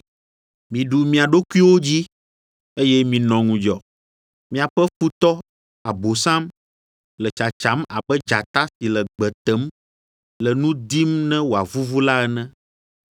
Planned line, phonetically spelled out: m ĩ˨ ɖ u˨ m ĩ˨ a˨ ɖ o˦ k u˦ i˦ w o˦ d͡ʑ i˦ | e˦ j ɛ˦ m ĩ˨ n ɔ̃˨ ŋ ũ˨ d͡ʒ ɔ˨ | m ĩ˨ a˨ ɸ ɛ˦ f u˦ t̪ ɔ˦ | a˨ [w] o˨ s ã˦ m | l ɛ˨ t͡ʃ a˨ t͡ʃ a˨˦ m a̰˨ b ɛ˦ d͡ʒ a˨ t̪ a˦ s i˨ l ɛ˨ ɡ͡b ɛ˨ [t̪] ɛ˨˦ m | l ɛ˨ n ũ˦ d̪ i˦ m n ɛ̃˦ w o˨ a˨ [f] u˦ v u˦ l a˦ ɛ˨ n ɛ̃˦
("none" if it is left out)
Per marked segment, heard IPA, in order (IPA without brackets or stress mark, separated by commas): b, t̪, v